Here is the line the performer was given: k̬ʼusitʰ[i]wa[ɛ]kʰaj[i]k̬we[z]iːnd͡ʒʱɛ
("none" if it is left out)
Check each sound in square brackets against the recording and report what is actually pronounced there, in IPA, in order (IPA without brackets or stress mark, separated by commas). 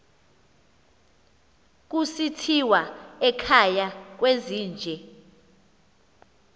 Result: i, ɛ, a, z